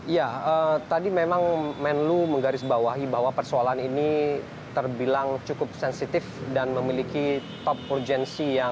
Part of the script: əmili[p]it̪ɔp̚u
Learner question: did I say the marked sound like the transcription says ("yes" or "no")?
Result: no